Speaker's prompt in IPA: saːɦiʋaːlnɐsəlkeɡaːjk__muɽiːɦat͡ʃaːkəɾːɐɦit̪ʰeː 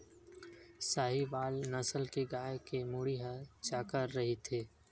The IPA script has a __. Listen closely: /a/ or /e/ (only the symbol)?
e